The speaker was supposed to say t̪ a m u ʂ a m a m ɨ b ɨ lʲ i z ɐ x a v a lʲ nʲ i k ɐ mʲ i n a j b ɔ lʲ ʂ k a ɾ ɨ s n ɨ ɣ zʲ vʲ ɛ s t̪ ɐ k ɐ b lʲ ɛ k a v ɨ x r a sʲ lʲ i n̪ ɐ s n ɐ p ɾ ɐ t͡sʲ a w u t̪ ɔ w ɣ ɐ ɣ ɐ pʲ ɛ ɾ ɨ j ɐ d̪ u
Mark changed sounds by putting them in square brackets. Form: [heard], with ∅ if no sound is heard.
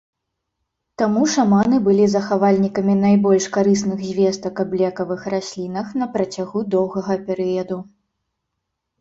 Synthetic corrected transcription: t̪ a m u ʂ a m a [n] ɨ b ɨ lʲ i z ɐ x a v a lʲ nʲ i k ɐ mʲ i n a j b ɔ lʲ ʂ k a ɾ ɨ s n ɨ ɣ zʲ vʲ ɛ s t̪ ɐ k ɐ b lʲ ɛ k [ɐ] v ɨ x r a sʲ lʲ i n̪ ɐ [x] n ɐ p ɾ ɐ t͡sʲ a [ɣ] u [d̪] ɔ w ɣ ɐ ɣ ɐ pʲ ɛ ɾ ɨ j ɐ d̪ u